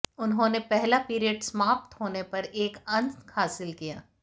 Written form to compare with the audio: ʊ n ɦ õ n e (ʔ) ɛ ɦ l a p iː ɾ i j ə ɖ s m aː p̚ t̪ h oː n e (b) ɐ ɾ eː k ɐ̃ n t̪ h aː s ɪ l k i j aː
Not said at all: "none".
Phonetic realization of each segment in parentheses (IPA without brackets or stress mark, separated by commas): p, p